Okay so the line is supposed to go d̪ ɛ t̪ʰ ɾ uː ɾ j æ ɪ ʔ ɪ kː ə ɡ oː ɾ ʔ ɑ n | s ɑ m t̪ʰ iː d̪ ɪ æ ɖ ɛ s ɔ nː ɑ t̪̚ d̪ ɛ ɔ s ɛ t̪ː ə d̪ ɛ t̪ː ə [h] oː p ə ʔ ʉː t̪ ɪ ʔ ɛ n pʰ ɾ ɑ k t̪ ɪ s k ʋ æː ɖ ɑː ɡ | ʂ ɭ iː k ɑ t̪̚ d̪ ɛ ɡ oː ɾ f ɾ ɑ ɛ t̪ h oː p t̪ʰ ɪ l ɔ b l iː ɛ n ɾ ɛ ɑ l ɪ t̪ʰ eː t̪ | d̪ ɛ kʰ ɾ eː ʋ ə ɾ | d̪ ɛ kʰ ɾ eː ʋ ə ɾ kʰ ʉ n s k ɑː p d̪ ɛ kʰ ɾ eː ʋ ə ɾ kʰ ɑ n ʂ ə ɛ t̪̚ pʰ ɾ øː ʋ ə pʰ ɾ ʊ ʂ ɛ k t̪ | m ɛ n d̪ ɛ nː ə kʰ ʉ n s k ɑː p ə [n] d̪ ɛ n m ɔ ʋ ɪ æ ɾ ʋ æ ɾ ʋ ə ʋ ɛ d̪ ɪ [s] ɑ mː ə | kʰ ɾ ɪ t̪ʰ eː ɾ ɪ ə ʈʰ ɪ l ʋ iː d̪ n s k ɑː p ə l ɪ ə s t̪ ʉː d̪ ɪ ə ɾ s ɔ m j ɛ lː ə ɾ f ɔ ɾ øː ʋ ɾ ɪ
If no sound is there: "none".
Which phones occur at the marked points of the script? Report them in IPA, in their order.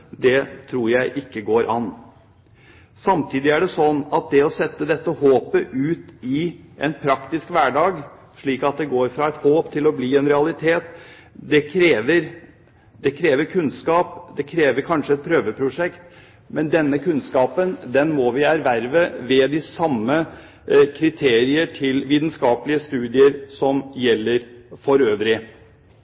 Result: h, n, s

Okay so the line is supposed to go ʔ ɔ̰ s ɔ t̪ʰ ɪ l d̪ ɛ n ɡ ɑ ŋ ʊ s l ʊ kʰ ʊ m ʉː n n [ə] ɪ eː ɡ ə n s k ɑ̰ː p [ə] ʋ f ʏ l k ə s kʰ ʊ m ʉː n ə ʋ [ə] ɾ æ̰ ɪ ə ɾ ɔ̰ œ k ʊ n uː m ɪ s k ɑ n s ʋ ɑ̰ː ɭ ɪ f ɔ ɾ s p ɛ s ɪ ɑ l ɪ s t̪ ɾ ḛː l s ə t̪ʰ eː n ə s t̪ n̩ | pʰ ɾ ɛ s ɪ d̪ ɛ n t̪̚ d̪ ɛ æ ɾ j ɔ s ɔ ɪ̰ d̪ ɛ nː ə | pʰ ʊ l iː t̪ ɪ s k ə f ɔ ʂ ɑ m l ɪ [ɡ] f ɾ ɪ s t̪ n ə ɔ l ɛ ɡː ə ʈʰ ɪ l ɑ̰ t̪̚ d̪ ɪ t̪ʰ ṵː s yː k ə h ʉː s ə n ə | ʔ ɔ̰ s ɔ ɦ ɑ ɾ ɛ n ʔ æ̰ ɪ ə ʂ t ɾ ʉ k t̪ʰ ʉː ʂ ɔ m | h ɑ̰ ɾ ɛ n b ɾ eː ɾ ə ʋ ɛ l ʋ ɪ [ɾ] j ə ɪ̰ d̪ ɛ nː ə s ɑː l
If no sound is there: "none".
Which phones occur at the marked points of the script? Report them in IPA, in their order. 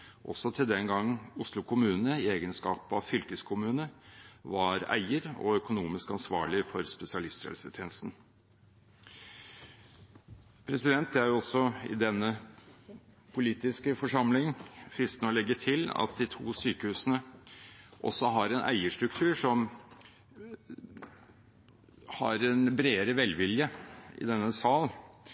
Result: ə, ɑ, ɑ, ŋ, l

